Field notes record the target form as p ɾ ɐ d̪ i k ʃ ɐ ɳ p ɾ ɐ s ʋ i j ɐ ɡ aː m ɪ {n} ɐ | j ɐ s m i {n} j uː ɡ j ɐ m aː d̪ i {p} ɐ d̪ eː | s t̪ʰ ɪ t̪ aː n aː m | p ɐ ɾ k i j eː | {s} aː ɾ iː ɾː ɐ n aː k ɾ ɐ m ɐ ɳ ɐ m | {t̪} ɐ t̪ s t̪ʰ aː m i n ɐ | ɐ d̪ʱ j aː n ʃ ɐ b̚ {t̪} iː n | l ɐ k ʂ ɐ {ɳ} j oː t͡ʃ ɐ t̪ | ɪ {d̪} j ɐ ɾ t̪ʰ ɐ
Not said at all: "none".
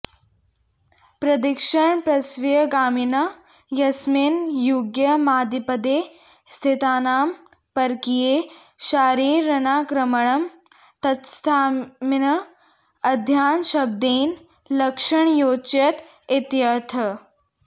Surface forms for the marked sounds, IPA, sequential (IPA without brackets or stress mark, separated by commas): n, n, p, ʃ, t̪, d̪, ɳ, t̪